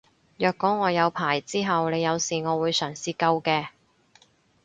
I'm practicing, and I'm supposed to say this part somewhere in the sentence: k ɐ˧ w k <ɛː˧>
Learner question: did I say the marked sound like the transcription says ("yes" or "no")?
yes